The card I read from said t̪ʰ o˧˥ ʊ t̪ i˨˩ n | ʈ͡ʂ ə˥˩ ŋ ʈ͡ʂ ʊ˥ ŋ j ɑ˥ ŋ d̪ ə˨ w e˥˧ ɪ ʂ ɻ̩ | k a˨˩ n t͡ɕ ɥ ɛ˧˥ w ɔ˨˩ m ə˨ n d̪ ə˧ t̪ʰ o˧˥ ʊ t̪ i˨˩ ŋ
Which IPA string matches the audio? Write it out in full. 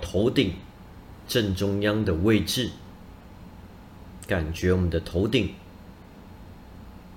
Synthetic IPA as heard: t̪ʰ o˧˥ ʊ t̪ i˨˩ ŋ | ʈ͡ʂ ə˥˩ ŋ ʈ͡ʂ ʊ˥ ŋ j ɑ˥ ŋ d̪ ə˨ w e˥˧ ɪ ʈ͡ʂ ɻ̩ | k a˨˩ n t͡ɕ ɥ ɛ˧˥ w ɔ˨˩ m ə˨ n d̪ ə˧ t̪ʰ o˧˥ ʊ t̪ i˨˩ ŋ